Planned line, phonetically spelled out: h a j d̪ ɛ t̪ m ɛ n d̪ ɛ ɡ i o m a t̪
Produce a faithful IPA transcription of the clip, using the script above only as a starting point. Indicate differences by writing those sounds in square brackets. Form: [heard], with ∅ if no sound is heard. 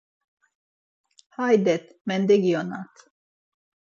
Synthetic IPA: h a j d̪ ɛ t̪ m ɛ n d̪ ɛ ɡ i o [n] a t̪

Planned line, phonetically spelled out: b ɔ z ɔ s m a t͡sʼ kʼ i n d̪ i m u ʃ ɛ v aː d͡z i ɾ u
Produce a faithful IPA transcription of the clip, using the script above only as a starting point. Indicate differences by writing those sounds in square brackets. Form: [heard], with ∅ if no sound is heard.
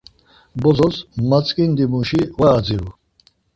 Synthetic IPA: b ɔ z ɔ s m a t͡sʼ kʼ i n d̪ i m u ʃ [i] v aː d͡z i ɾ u

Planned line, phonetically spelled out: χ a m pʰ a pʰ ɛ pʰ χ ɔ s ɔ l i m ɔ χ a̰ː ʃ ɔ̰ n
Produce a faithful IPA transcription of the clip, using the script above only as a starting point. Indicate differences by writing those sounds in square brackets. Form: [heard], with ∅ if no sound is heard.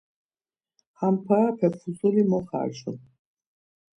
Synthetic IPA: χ a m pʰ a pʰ ɛ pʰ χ [u] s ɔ l i m ɔ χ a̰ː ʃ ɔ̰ n

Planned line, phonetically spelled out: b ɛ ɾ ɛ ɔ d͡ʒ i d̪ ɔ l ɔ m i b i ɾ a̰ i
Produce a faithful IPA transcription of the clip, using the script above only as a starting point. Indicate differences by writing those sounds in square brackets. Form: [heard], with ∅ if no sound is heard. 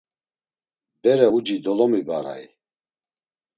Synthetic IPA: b ɛ ɾ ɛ [u] d͡ʒ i d̪ ɔ l ɔ m i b [a] ɾ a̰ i

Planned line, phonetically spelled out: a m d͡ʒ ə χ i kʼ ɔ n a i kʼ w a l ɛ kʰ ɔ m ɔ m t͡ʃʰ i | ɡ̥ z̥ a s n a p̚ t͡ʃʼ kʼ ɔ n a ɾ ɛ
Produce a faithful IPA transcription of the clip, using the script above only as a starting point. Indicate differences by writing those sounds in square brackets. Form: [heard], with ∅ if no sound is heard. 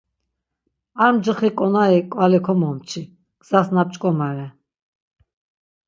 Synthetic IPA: a m d͡ʒ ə χ i kʼ ɔ n a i kʼ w a l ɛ kʰ ɔ m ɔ m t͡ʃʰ i | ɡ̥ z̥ a s n a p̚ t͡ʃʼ kʼ ɔ [m] a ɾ ɛ

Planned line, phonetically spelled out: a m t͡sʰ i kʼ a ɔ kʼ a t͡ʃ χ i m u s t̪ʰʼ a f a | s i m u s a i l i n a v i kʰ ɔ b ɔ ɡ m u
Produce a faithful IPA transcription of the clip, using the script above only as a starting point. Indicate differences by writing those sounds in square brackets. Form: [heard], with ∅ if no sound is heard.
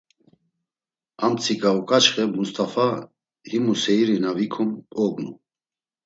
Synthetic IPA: a m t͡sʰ i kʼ a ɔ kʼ a t͡ʃ χ [ɛ] m u s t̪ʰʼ a f a | [h] i m u s [ɛ] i [ɾ] i n a v i kʰ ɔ [m] ɔ ɡ [n] u

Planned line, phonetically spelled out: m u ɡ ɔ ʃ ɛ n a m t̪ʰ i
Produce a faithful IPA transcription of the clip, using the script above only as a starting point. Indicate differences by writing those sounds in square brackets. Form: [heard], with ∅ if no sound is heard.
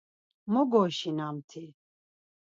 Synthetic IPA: m [ɔ] ɡ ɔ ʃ [i] n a m t̪ʰ i

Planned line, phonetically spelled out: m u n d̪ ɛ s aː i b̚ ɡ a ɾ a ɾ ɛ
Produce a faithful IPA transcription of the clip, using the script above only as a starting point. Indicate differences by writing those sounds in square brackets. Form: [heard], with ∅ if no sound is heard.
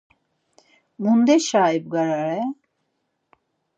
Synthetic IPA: m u n d̪ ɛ [ʃ] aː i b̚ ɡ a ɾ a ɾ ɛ

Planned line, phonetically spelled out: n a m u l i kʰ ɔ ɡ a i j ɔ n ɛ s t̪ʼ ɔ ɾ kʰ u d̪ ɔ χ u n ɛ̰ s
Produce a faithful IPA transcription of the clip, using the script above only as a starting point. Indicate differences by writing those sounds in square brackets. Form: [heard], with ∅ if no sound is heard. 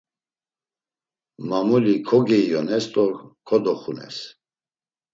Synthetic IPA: [m] a m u l i kʰ ɔ ɡ [ɛ] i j ɔ n ɛ s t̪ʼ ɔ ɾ kʰ [ɔ] d̪ ɔ χ u n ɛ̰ s

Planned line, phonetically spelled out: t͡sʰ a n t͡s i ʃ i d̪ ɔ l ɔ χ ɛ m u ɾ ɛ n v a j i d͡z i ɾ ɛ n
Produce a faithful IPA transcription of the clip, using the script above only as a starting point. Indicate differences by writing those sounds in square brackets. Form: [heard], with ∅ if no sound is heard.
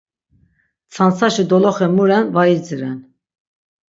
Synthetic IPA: t͡sʰ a n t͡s [a] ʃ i d̪ ɔ l ɔ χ ɛ m u ɾ ɛ n v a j i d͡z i ɾ ɛ n

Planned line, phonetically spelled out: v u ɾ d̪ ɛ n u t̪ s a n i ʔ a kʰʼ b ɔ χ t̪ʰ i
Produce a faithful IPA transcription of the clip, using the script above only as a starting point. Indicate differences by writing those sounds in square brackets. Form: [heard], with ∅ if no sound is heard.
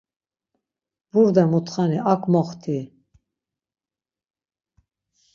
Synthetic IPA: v u ɾ d̪ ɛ [m] u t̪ [χ] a n i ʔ a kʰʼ [m] ɔ χ t̪ʰ i

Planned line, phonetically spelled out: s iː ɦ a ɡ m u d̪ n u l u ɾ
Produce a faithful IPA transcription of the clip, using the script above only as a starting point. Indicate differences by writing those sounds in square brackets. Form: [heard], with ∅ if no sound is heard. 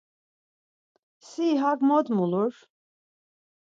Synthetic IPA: s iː ɦ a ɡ m [ɔ] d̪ [m] u l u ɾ

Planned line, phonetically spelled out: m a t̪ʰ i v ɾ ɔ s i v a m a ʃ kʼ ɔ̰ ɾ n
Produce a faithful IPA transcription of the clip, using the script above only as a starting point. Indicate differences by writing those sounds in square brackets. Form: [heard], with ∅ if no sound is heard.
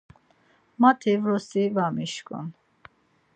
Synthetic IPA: m a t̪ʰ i v ɾ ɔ s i v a m [i] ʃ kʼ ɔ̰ [∅] n

